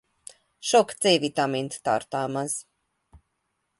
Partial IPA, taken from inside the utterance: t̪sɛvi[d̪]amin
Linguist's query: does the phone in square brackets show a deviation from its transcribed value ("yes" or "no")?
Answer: yes